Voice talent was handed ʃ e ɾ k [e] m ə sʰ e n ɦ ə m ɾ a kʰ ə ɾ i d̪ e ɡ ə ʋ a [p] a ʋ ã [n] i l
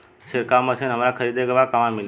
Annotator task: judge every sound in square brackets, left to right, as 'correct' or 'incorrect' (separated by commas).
incorrect, incorrect, incorrect